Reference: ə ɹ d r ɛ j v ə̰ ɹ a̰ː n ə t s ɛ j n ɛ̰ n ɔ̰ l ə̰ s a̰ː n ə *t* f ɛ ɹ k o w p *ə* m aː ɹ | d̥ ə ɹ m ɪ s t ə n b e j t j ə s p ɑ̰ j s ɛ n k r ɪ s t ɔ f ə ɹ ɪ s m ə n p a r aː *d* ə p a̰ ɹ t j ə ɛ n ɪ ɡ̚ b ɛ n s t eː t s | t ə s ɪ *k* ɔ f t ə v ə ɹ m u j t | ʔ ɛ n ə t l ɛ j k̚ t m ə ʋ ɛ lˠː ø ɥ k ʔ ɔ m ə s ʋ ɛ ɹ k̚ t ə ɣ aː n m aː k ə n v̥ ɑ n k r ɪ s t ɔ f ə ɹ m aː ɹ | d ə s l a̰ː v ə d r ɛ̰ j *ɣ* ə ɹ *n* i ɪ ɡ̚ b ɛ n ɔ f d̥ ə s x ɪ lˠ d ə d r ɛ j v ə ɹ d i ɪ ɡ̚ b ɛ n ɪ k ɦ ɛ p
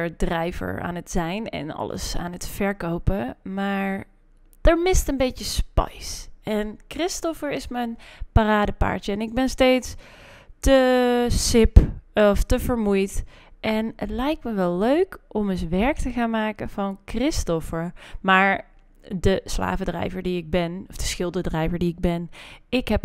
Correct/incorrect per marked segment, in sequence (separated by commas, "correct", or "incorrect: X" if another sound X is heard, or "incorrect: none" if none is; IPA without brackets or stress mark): correct, correct, correct, incorrect: p, incorrect: v, incorrect: d